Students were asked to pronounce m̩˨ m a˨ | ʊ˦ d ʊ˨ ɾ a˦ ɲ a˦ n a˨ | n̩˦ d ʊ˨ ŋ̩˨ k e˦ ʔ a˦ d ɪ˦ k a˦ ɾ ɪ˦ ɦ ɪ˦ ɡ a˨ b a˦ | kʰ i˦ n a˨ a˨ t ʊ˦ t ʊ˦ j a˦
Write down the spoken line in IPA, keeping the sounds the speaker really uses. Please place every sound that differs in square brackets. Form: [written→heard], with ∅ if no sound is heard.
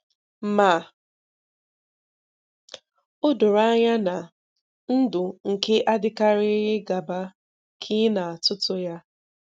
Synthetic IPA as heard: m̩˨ m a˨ | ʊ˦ d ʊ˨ ɾ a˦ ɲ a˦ n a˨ | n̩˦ d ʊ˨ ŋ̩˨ k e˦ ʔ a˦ d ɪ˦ k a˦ ɾ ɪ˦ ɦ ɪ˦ ɡ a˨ b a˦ | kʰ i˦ n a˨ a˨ t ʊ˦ t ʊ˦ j a˦